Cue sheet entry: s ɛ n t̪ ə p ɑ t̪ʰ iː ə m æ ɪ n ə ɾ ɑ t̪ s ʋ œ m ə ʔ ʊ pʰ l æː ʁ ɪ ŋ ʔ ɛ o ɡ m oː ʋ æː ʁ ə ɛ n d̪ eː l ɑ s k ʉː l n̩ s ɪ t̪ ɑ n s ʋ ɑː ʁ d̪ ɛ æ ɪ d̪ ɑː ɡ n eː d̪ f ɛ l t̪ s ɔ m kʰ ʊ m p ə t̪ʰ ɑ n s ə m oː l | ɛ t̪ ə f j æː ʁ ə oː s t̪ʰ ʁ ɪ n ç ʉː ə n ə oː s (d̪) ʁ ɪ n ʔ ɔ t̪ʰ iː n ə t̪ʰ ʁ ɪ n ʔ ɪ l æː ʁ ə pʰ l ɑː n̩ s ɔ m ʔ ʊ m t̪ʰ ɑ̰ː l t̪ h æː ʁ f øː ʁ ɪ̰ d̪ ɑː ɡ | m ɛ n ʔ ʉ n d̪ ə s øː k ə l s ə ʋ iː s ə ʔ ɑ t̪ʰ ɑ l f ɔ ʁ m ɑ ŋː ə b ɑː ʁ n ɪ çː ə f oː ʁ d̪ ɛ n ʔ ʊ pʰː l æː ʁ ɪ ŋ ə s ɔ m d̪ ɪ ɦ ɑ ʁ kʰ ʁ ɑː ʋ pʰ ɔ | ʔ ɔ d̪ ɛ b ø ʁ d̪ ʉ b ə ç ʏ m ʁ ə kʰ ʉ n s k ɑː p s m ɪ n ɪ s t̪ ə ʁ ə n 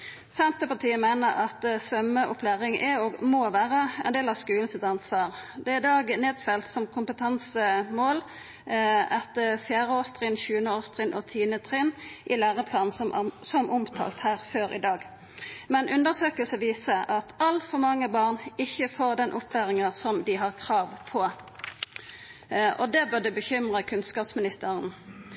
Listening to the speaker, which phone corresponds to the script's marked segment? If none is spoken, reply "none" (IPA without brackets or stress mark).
t̪